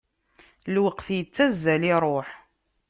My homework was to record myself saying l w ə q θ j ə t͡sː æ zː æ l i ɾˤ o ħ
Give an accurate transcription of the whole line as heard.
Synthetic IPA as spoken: l w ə q θ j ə t͡sː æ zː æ l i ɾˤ o ħ